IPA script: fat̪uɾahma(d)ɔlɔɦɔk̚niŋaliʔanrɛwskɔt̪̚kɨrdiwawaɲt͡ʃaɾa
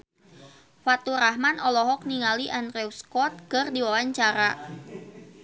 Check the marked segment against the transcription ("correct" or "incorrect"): incorrect